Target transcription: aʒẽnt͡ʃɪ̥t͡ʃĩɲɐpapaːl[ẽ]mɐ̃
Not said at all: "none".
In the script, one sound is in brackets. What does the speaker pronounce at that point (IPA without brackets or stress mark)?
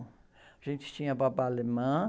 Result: e